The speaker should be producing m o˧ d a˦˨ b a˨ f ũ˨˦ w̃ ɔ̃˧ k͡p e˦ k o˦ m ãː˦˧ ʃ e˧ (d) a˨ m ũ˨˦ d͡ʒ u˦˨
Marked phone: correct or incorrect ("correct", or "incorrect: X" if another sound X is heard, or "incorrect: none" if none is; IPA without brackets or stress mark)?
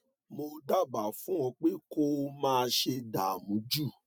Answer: correct